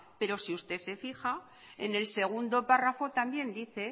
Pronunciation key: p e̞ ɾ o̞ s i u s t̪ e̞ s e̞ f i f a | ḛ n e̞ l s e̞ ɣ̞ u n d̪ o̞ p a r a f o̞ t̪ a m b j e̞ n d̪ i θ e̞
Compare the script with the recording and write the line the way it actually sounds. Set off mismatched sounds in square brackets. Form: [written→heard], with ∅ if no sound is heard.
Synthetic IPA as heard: p e̞ ɾ o̞ s i u s t̪ e̞ s e̞ f i [f→x] a | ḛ n e̞ l s e̞ ɣ̞ u n d̪ o̞ p a r a f o̞ t̪ a m b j e̞ n d̪ i θ e̞

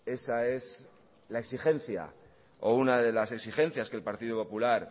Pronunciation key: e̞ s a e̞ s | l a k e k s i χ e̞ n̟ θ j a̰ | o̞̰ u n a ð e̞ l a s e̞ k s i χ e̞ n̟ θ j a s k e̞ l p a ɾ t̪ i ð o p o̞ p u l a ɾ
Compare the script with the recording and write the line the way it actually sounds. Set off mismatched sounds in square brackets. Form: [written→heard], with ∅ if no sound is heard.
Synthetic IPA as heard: e̞ s a e̞ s | l a [k→∅] e k s i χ e̞ n̟ θ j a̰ | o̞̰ u n a ð e̞ l a s e̞ k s i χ e̞ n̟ θ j a s k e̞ l p a ɾ t̪ i ð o p o̞ p u l a ɾ

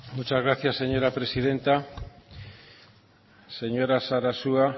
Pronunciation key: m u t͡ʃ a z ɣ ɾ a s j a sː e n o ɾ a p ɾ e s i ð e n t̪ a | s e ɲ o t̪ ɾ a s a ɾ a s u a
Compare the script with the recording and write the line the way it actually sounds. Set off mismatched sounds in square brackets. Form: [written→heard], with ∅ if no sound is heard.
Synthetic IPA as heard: m u t͡ʃ a z ɣ ɾ a [s→θ] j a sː e [n→ɲ] o ɾ a p ɾ e s i ð e n t̪ a | s e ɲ o [t̪→∅] ɾ a s a ɾ a s u a

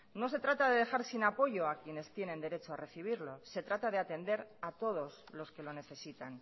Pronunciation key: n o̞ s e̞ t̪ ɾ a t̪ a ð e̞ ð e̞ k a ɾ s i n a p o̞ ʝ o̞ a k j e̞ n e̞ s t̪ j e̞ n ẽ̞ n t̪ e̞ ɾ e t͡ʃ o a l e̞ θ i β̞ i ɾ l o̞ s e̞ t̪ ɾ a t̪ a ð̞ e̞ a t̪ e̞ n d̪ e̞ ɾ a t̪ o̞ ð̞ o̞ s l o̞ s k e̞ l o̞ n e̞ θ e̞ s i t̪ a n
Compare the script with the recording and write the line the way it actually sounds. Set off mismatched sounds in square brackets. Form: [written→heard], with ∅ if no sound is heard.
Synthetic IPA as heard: n o̞ s e̞ t̪ ɾ a t̪ a ð e̞ ð e̞ [k→x] a ɾ s i n a p o̞ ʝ o̞ a k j e̞ n e̞ s t̪ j e̞ n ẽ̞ n [t̪→d̪] e̞ ɾ e t͡ʃ o a [l→r] e̞ θ i β̞ i ɾ l o̞ s e̞ t̪ ɾ a t̪ a ð̞ e̞ a t̪ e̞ n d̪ e̞ ɾ a t̪ o̞ ð̞ o̞ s l o̞ s k e̞ l o̞ n e̞ θ e̞ s i t̪ a n

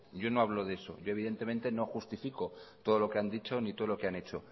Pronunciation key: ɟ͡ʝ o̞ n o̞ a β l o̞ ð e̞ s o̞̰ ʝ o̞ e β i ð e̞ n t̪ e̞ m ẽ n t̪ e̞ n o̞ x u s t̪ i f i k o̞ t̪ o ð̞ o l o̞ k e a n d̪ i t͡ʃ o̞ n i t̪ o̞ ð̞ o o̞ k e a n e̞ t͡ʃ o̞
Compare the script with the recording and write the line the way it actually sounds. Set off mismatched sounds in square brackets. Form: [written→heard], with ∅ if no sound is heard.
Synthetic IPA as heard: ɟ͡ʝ o̞ n o̞ a β l o̞ ð e̞ s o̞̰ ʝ o̞ e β i ð e̞ n t̪ e̞ m ẽ n t̪ e̞ n o̞ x u s t̪ i f i k o̞ t̪ o ð̞ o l o̞ k e a n d̪ i t͡ʃ o̞ n i t̪ o̞ ð̞ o o̞ k e a n e̞ t͡ʃ o̞

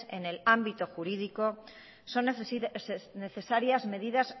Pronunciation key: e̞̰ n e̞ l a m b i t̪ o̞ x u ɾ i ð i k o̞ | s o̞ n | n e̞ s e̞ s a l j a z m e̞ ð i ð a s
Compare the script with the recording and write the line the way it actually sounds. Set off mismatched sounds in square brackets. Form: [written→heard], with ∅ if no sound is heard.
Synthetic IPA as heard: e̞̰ n e̞ l a m b i t̪ o̞ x u ɾ i ð i k o̞ | s o̞ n | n e̞ [s→θ] e̞ s a [l→ɾ] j a z m e̞ ð i ð a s

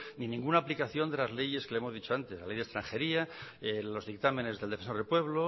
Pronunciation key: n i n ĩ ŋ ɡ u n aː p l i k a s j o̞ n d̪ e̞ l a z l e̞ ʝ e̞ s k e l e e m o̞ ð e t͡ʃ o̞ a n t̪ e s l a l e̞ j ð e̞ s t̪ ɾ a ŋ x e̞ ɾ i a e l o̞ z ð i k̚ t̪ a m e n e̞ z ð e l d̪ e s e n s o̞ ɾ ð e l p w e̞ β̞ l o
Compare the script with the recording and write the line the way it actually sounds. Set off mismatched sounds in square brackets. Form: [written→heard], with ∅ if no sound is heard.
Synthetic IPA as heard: n i n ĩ ŋ ɡ u n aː p l i k a [s→θ] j o̞ n d̪ e̞ l a z l e̞ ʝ e̞ s k e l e e m o̞ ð [e→i] t͡ʃ o̞ a n t̪ e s l a l e̞ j ð e̞ s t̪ ɾ a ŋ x e̞ ɾ i a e l o̞ z ð i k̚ t̪ a m e n e̞ z ð e l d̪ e [s→f] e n s o̞ ɾ ð e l p w e̞ β̞ l o

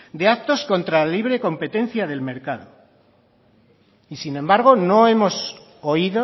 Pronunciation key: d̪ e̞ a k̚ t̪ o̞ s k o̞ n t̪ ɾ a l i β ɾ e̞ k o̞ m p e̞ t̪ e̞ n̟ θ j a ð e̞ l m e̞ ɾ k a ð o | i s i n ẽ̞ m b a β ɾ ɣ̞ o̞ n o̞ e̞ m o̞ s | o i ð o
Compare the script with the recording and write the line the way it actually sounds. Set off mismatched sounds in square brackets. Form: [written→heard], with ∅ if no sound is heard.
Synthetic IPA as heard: d̪ e̞ a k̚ t̪ o̞ s k o̞ n t̪ ɾ a l i β ɾ e̞ k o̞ m p e̞ t̪ e̞ n̟ θ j a ð e̞ l m e̞ ɾ k a ð o | i s i n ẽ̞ m b a [β→∅] ɾ ɣ̞ o̞ n o̞ e̞ m o̞ s | o i ð o

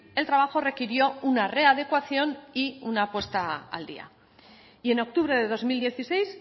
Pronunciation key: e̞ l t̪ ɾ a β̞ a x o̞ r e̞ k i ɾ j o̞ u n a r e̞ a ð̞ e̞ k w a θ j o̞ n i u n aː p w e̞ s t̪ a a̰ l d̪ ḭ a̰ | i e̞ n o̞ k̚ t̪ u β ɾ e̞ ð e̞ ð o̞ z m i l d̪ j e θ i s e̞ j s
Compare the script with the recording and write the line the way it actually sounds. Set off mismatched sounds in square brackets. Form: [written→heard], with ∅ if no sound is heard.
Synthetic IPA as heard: e̞ l t̪ ɾ a β̞ a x o̞ r e̞ k i ɾ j o̞ u n a r e̞ a ð̞ e̞ k w a θ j o̞ n i u n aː p w e̞ s t̪ a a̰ l d̪ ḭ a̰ | i e̞ n o̞ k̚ t̪ u β ɾ e̞ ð e̞ ð o̞ z m i l d̪ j e θ i s e̞ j s

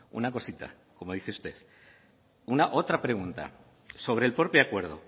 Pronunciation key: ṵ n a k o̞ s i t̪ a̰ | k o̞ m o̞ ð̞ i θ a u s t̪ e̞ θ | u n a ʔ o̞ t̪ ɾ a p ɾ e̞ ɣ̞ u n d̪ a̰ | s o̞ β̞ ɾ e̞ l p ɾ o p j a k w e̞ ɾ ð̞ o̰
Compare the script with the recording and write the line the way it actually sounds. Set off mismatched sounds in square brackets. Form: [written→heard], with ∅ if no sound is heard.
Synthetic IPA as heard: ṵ n a k o̞ s i t̪ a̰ | k o̞ m o̞ ð̞ i θ [a→e] u s t̪ e̞ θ | u n a ʔ o̞ t̪ ɾ a p ɾ e̞ ɣ̞ u n [d̪→t̪] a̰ | s o̞ β̞ ɾ e̞ l p ɾ o p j a k w e̞ ɾ ð̞ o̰

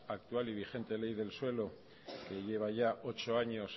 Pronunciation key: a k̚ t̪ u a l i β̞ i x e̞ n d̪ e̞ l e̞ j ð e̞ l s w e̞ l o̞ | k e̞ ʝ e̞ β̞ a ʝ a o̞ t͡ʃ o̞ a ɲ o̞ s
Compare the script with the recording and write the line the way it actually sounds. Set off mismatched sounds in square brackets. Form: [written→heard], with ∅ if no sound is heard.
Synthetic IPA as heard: a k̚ t̪ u a l i β̞ i x e̞ n [d̪→t̪] e̞ l e̞ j ð e̞ l s w e̞ l o̞ | k e̞ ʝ e̞ β̞ a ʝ a o̞ t͡ʃ o̞ a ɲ o̞ s

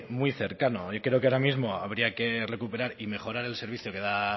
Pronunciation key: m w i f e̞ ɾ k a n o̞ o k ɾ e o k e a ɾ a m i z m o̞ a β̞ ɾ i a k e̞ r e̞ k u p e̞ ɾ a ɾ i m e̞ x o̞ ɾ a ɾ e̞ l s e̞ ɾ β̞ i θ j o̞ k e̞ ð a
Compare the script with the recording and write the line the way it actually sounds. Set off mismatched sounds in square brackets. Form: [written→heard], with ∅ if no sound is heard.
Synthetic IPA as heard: m w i [f→θ] e̞ ɾ k a n o̞ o k ɾ e o k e a ɾ a m i z m o̞ a β̞ ɾ i a k e̞ r e̞ k u p e̞ ɾ a ɾ i m e̞ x o̞ ɾ a ɾ e̞ l s e̞ ɾ β̞ i θ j o̞ k e̞ ð a

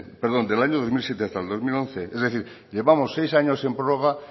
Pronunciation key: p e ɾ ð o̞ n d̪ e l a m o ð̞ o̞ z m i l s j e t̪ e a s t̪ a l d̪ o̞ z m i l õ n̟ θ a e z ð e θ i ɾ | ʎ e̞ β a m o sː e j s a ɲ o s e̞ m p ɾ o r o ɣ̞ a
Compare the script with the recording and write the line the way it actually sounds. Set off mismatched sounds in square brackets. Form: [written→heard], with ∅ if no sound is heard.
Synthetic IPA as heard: p e ɾ ð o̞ n d̪ e l a [m→ɲ] o ð̞ o̞ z m i l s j e t̪ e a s t̪ a l d̪ o̞ z m i l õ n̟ θ [a→e] e z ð e θ i ɾ | ʎ e̞ β a m o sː e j s a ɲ o s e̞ m p ɾ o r o ɣ̞ a

